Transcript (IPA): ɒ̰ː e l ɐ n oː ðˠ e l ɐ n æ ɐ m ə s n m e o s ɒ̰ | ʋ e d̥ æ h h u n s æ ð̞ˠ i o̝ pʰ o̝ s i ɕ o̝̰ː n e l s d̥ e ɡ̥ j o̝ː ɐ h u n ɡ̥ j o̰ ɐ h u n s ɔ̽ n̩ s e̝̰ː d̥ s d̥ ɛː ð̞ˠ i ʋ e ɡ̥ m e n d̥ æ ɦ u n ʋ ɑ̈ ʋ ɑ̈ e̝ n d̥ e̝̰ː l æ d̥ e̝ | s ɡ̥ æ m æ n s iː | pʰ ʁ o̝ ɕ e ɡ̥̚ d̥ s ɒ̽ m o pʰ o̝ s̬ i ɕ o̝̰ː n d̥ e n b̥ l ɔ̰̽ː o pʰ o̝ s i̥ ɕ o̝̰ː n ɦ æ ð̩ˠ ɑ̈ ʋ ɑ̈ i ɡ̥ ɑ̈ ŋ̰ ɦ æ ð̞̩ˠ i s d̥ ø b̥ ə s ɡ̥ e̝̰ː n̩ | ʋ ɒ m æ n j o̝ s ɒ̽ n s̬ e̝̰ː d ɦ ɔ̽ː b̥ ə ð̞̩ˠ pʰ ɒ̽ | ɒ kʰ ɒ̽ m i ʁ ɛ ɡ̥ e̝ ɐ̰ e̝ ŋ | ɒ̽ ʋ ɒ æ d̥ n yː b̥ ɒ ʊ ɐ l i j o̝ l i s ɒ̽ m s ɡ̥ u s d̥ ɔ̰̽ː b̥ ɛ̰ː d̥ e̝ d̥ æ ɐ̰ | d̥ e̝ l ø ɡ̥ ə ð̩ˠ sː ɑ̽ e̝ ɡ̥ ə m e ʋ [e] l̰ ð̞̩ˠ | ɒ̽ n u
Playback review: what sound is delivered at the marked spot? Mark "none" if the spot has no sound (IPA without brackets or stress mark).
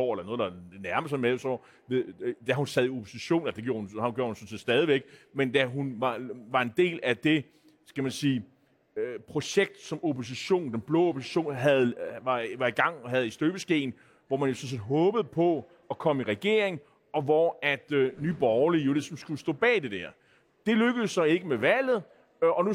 æ